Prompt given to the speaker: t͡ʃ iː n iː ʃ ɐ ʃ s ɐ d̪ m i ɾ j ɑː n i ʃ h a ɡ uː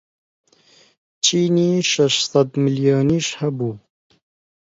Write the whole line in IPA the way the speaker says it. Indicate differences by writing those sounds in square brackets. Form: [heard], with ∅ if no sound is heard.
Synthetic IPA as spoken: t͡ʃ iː n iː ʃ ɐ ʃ s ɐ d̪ m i [l] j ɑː n i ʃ h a [b] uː